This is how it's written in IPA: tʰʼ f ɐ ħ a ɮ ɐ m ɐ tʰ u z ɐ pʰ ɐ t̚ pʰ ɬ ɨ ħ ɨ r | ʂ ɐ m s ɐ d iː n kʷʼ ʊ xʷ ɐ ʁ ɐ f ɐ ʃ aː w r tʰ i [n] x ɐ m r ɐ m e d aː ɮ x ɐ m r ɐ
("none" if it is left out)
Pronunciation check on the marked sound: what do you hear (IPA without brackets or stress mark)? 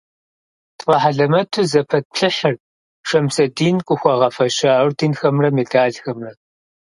n